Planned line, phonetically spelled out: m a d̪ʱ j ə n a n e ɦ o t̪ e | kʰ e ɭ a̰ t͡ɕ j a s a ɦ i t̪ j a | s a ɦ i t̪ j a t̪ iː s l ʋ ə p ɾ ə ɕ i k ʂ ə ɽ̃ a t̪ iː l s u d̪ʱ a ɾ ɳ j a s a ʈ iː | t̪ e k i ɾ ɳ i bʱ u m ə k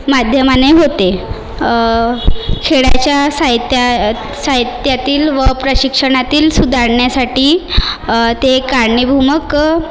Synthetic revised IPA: m a d̪ʱ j ə m a n e ɦ o t̪ e | kʰ e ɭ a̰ t͡ɕ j a s a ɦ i t̪ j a | s a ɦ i t̪ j a t̪ iː l ʋ ə p ɾ ə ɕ i k ʂ ə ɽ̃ a t̪ iː l s u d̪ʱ a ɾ ɳ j a s a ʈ iː | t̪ e k a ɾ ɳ i bʱ u m ə k